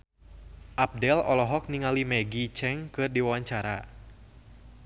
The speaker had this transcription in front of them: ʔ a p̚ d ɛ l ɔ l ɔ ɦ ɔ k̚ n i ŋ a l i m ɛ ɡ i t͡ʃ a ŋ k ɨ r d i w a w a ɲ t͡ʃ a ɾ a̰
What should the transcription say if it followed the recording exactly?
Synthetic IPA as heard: ʔ a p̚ d ɛ l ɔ l ɔ ɦ ɔ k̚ n i ŋ a l i m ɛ ɡ i t͡ʃ ɛ ŋ k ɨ r d i w a w a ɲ t͡ʃ a ɾ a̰